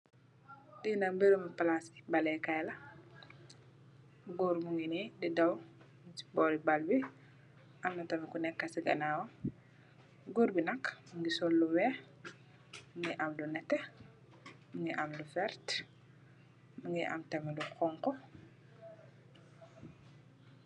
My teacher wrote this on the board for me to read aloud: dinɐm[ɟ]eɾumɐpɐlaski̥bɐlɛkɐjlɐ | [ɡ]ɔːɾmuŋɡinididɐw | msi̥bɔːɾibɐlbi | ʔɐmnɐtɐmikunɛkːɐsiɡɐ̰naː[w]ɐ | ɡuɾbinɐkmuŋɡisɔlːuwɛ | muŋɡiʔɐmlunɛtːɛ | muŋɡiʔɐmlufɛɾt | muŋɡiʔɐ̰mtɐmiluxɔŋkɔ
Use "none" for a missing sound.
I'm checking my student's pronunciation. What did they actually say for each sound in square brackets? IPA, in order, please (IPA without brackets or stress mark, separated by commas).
b, ɡ, w